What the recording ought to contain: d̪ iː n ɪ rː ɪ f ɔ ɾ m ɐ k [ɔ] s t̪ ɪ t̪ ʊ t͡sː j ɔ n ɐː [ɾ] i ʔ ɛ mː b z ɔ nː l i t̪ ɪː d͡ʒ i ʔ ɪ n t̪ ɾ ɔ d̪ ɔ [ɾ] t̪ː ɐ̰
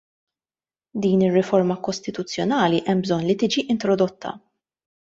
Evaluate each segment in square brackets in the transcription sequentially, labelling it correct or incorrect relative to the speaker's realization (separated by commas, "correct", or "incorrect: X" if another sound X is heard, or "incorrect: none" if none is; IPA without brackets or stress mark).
correct, incorrect: l, incorrect: none